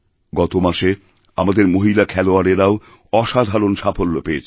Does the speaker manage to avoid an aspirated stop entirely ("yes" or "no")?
no